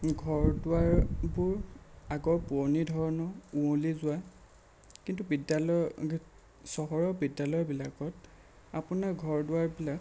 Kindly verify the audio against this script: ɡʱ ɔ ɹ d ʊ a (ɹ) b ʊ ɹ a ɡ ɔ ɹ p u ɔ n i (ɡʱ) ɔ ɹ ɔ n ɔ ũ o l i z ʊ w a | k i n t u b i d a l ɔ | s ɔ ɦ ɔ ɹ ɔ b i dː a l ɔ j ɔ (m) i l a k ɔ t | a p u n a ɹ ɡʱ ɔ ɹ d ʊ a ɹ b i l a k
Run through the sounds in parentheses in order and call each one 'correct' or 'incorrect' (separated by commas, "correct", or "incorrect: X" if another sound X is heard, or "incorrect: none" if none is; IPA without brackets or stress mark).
correct, incorrect: dʱ, incorrect: b